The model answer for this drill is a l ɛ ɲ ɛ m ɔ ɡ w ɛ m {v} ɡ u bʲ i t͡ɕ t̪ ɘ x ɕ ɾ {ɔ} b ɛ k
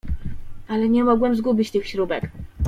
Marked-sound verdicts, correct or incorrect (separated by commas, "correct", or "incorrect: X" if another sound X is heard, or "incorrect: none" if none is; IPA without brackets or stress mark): incorrect: z, incorrect: u